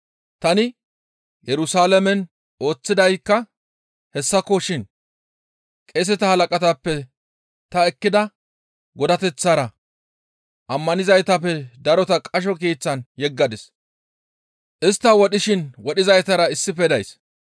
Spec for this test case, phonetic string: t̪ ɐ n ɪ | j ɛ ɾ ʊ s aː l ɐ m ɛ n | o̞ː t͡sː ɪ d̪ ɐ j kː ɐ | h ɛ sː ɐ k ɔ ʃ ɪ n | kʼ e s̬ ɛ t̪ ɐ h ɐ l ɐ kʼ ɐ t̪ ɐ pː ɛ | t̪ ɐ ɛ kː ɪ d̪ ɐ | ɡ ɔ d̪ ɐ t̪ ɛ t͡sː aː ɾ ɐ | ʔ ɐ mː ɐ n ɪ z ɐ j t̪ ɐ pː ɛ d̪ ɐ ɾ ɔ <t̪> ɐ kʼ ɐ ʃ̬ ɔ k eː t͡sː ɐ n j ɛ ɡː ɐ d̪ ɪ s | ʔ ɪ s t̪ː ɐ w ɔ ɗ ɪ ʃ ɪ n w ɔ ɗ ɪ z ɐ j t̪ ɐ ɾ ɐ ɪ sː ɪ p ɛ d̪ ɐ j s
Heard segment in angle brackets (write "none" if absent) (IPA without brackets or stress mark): t̪